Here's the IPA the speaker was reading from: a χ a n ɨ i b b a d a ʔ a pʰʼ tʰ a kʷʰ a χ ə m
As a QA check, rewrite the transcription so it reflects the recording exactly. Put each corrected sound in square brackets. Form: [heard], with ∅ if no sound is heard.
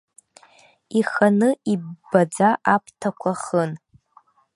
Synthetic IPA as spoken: [i] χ a n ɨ i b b a [d͡z] a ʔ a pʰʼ tʰ a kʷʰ a χ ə [n]